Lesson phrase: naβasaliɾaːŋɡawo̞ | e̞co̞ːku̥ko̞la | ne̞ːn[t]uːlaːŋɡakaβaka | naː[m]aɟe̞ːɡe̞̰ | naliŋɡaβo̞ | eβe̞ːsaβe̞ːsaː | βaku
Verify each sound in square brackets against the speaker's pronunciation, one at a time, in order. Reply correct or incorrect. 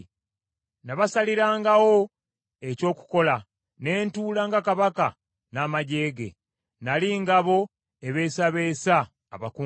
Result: correct, correct

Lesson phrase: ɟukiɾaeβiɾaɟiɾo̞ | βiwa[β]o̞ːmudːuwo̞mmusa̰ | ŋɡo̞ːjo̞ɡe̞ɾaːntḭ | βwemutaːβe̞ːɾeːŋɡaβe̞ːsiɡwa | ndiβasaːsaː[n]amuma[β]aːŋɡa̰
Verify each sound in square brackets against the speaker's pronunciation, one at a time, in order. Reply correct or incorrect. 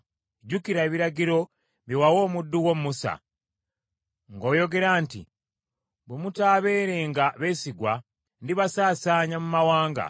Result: incorrect, incorrect, incorrect

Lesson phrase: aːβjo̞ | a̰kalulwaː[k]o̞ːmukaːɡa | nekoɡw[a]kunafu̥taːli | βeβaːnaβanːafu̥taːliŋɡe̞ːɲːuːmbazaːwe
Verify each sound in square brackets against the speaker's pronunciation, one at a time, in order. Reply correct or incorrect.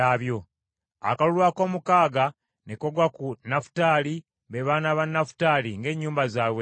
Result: correct, correct

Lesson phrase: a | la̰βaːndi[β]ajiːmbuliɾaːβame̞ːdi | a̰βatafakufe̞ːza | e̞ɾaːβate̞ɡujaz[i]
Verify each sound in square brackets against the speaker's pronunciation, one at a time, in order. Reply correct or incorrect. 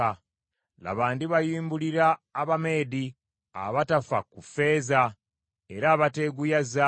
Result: correct, incorrect

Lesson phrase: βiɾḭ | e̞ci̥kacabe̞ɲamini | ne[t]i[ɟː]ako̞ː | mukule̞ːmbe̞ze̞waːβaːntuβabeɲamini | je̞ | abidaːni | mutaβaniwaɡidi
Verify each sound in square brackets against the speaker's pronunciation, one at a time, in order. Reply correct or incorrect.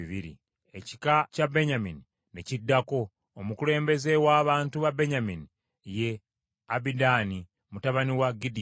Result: incorrect, incorrect

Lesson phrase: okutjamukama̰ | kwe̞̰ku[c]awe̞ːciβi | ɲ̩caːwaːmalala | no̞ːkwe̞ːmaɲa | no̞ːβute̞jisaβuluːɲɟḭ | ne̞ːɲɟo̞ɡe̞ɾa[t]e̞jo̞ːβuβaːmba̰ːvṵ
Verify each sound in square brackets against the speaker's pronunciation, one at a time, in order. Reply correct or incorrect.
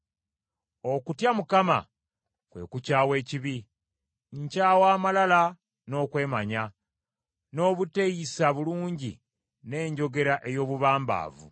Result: correct, incorrect

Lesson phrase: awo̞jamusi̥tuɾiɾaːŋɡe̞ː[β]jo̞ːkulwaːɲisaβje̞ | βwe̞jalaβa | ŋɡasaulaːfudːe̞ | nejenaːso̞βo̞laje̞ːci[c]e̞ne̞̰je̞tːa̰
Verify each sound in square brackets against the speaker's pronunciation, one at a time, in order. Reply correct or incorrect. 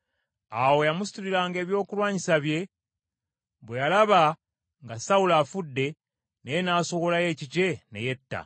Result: correct, correct

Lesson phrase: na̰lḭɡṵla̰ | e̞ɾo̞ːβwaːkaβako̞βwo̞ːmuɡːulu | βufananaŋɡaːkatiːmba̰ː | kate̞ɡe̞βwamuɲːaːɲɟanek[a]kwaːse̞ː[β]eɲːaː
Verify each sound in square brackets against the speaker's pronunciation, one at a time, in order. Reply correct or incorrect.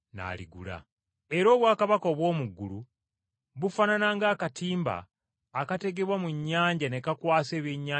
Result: correct, correct

